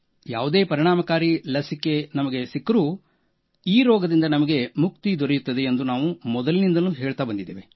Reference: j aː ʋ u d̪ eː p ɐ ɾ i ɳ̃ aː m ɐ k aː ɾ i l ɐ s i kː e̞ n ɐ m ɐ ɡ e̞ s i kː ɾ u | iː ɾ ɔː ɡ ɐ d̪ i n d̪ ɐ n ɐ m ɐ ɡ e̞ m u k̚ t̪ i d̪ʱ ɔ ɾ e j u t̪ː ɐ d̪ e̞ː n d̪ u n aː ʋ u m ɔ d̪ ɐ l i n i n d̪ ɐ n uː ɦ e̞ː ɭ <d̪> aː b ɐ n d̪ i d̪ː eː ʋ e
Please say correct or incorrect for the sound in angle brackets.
incorrect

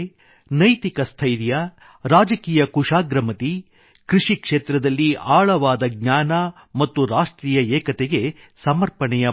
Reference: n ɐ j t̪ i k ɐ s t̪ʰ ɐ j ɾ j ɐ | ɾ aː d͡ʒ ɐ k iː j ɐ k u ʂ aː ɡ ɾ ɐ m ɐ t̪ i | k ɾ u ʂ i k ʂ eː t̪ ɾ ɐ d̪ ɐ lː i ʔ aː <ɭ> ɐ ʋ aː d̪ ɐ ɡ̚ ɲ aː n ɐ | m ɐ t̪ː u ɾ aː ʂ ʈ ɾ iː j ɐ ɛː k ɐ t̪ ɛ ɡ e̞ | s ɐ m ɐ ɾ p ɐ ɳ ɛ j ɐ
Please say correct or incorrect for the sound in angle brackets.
correct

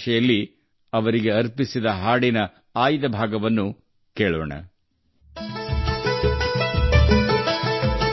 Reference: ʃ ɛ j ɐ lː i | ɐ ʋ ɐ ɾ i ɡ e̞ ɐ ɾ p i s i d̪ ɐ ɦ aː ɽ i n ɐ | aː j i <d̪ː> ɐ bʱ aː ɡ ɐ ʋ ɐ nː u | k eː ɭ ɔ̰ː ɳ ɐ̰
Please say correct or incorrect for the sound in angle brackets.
incorrect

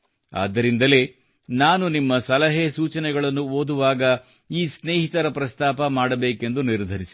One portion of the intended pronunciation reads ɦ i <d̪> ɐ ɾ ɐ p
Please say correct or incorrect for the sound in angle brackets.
incorrect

